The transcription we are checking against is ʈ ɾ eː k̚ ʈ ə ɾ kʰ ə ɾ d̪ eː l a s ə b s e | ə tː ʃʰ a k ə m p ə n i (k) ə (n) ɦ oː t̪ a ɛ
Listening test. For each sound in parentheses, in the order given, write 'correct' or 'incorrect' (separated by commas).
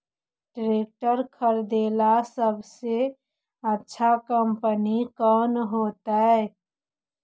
correct, correct